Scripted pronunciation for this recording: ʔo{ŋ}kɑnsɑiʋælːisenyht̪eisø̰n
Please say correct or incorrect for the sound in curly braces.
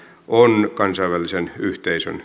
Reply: incorrect: n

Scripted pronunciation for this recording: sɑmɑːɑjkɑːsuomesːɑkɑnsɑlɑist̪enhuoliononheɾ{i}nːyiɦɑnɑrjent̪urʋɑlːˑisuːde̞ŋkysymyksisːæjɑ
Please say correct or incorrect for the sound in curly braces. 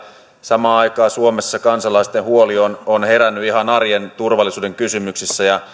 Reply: incorrect: æ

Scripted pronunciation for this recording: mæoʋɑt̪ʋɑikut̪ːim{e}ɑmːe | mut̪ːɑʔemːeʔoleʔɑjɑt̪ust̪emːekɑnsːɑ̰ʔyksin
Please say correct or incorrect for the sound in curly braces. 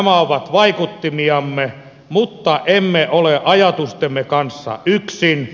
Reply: incorrect: i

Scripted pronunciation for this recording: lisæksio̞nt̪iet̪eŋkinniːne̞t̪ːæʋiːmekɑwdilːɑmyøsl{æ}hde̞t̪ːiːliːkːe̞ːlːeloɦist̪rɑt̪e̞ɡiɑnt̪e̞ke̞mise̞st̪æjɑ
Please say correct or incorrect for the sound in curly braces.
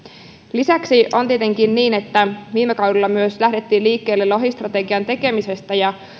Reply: correct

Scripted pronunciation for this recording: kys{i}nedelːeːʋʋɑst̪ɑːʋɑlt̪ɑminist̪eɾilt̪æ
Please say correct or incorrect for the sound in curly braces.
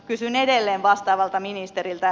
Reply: incorrect: y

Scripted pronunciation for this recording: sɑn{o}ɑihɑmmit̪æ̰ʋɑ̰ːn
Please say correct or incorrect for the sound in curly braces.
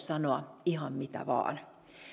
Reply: correct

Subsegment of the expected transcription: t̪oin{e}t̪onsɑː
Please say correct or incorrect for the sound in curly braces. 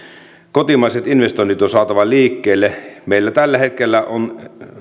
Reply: incorrect: i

